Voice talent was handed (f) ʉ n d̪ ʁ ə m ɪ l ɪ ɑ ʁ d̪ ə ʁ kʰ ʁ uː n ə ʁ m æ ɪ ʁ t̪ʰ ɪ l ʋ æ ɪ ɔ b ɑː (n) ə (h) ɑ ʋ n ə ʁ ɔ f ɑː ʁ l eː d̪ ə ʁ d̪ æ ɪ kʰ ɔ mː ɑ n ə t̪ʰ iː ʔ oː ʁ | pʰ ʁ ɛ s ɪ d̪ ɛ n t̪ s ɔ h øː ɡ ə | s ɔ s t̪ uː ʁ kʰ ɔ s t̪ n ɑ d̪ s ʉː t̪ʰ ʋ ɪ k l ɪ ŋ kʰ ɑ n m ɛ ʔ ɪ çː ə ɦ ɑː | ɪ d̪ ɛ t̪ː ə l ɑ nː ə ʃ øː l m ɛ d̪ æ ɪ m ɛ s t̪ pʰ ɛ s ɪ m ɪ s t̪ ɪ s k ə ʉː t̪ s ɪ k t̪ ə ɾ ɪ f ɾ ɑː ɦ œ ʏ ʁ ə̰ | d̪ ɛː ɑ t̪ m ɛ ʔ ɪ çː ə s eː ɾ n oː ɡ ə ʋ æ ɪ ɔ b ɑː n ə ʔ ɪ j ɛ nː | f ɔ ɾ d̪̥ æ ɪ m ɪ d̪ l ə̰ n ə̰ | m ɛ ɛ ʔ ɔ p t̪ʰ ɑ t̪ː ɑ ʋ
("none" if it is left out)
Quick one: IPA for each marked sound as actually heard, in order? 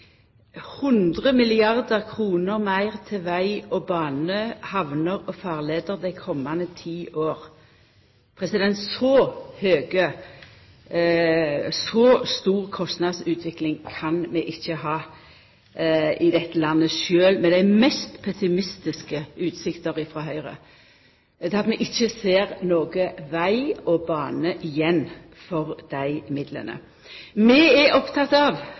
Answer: h, n, h

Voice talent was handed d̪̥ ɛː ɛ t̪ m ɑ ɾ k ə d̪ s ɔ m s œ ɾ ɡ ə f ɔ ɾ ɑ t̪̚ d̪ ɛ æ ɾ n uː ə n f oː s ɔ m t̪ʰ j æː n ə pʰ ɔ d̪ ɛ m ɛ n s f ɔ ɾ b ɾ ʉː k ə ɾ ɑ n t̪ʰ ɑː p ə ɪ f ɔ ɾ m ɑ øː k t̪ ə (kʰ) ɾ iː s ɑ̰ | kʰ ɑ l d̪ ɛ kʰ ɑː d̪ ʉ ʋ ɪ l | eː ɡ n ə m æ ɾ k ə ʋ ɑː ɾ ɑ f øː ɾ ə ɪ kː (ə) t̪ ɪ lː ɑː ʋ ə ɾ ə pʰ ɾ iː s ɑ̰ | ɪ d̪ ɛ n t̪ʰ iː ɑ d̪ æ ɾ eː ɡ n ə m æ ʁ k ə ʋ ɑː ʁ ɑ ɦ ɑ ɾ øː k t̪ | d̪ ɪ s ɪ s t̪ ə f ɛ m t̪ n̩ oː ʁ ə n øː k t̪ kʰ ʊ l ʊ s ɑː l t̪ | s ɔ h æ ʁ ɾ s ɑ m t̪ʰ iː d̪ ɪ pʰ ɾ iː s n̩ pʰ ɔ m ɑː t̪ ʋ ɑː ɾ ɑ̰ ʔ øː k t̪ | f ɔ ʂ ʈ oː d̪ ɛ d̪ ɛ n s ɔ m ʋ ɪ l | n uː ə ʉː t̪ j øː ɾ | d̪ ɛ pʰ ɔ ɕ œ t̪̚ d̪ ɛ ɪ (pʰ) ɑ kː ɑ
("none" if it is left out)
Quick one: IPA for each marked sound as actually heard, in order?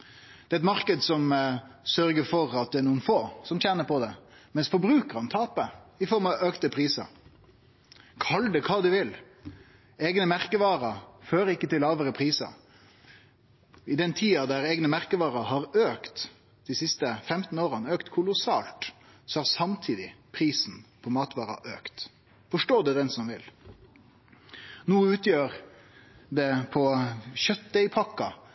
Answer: pʰ, ə, pʰ

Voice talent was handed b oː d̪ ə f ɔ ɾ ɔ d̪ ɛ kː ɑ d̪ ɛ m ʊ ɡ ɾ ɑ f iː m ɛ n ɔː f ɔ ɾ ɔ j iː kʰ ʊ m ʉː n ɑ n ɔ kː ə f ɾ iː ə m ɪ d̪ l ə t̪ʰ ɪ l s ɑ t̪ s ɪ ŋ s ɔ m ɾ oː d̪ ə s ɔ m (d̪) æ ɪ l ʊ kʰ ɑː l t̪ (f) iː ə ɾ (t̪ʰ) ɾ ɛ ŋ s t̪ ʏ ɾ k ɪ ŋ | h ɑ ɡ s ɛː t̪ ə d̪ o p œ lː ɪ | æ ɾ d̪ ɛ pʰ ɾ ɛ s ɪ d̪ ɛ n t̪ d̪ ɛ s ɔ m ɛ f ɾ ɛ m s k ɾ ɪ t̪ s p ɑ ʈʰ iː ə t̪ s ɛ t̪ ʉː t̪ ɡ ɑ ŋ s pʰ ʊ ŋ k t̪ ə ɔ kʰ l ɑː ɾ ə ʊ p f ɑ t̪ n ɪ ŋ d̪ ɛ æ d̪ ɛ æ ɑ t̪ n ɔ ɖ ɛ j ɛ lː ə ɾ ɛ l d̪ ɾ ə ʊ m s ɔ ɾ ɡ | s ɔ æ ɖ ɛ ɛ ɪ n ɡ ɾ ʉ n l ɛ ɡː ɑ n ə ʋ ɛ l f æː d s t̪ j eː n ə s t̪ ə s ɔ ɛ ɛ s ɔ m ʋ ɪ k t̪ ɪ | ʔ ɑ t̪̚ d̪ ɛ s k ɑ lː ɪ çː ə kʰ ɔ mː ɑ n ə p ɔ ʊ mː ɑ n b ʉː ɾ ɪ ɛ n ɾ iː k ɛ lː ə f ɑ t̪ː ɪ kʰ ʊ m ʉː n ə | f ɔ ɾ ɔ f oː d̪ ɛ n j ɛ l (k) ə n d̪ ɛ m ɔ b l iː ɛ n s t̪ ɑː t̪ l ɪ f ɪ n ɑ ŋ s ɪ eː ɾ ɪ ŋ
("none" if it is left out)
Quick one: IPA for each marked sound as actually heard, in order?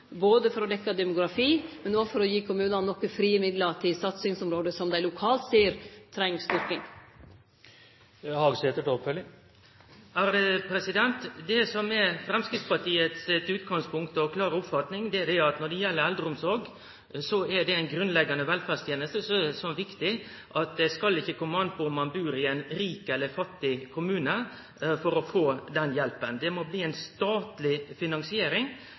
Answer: d̪, s, t̪ʰ, p

